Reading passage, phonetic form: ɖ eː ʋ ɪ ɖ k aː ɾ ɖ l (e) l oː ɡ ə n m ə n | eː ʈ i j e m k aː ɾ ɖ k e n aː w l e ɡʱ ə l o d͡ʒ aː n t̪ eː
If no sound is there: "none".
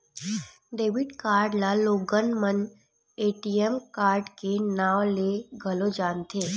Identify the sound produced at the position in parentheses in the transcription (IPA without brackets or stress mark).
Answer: a